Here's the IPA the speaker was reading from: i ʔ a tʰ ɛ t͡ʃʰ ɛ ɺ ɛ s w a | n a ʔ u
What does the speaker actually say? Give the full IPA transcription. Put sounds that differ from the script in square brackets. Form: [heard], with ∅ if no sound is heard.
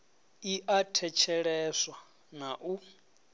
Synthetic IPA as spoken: i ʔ a tʰ ɛ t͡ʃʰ ɛ ɺ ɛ s w a | n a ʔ u